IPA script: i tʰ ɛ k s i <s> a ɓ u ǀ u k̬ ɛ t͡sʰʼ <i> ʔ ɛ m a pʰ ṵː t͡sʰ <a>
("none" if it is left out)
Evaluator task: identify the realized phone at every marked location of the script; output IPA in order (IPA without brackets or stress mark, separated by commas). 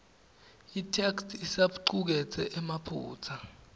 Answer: s, ɛ, a